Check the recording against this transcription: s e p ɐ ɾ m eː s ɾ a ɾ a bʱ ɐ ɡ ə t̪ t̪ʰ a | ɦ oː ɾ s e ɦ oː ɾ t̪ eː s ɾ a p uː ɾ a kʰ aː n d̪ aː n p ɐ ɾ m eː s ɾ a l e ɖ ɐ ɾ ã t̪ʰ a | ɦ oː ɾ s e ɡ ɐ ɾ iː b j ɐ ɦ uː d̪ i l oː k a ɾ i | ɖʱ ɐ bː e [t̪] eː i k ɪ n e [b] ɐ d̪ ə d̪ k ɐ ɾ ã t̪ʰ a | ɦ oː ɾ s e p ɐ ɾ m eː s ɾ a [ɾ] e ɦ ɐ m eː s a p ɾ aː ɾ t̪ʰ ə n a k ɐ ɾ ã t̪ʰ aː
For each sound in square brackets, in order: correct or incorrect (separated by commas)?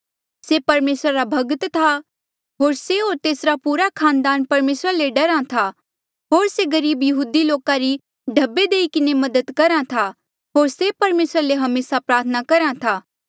incorrect, incorrect, incorrect